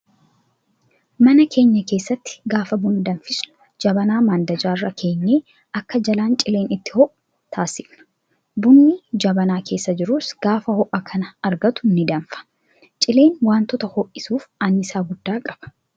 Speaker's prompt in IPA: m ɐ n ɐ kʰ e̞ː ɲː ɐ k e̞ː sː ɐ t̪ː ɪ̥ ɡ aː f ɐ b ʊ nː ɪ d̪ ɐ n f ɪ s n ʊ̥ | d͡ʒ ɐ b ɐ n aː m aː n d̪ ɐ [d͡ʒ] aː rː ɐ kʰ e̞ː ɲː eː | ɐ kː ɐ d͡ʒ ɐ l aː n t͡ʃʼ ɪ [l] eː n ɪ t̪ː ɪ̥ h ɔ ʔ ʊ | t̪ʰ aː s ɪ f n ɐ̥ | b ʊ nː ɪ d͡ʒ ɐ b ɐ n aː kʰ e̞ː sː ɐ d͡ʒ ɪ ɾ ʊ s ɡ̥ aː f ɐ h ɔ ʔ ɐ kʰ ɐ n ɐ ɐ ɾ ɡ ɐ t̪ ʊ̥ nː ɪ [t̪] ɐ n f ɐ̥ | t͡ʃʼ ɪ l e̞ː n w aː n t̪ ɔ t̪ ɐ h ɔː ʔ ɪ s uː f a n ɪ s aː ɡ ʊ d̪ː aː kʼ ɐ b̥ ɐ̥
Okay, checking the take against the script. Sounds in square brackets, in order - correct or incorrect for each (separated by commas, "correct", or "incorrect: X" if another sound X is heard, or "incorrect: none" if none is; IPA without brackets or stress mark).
correct, correct, incorrect: d̪